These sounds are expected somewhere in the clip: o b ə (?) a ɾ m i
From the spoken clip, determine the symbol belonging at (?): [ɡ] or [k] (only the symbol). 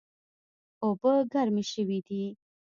ɡ